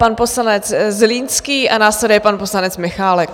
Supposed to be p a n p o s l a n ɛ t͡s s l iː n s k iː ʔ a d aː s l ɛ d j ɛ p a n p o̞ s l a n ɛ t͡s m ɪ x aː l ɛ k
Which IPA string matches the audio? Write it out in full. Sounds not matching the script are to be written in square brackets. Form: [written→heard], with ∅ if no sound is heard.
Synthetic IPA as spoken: p a n p o s l a n ɛ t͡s [s→z] l iː n s k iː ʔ a [d→n] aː s l ɛ d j ɛ p a n p o̞ s l a n ɛ t͡s m ɪ x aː l ɛ k